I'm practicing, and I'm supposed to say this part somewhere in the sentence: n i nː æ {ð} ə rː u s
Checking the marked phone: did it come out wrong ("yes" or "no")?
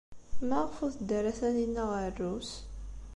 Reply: yes